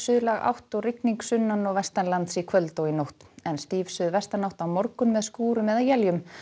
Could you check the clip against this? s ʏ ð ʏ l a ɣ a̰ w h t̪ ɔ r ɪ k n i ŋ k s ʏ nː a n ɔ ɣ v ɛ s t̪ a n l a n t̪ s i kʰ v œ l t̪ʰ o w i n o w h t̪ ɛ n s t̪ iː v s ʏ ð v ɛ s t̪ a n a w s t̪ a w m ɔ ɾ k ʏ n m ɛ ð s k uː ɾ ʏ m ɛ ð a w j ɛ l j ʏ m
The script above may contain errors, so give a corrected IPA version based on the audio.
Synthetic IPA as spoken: s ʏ ð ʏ l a ɣ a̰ w h t̪ ɔ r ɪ k n i ŋ k s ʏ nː a n ɔ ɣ v ɛ s t̪ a n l a n t̪ s i kʰ v œ l t̪ o w i n o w h t̪ ɛ n s t̪ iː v s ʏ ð v ɛ s t̪ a n a w h t̪ a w m ɔ ɾ k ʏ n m ɛ ð s k uː ɾ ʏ m ɛ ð a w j ɛ l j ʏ m